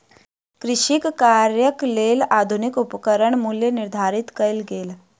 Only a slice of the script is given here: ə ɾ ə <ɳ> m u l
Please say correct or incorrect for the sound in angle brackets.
correct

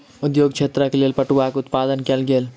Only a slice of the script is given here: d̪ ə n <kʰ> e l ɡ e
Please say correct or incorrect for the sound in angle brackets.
incorrect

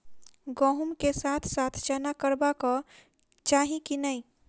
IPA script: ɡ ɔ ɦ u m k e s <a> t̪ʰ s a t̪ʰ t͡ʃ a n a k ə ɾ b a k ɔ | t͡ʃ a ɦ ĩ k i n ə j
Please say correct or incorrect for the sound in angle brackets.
correct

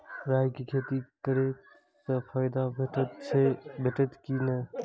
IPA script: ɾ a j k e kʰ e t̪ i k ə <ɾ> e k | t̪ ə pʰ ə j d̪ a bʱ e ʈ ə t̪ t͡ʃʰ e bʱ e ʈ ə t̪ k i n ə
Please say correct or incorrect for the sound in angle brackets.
correct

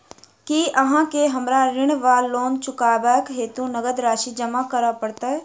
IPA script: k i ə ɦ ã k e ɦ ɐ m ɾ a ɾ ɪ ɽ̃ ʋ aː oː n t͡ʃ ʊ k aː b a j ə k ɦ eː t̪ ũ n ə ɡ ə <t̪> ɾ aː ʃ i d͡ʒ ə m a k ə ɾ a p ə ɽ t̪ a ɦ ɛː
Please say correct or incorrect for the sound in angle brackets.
incorrect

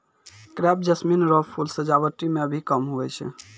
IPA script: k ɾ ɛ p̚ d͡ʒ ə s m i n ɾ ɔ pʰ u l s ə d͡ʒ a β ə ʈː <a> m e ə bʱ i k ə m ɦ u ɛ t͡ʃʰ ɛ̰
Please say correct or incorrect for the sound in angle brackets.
incorrect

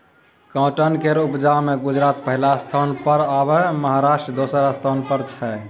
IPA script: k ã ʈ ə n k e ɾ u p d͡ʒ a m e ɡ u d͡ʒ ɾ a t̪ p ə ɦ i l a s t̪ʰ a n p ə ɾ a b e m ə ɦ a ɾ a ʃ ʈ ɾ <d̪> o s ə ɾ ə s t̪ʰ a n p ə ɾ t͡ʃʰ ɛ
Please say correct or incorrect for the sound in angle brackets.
correct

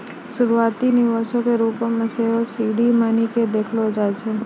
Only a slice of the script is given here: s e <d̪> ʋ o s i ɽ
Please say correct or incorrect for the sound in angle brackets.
incorrect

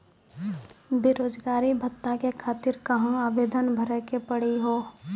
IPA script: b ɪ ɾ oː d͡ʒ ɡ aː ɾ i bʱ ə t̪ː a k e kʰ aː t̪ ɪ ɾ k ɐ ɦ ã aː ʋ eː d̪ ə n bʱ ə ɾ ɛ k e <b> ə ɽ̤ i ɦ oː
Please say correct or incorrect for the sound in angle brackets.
incorrect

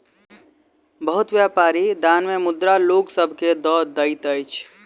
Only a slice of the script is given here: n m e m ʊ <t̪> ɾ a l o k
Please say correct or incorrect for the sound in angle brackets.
incorrect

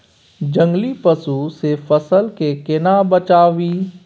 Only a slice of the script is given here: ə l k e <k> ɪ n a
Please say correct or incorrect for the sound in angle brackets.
correct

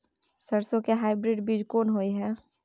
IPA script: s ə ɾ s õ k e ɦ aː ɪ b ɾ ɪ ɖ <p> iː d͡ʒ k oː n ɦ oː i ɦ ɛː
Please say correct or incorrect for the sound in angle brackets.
incorrect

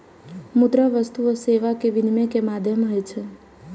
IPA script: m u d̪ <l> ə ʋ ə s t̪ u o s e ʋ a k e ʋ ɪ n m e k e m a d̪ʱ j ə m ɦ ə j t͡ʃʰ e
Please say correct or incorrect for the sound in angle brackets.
incorrect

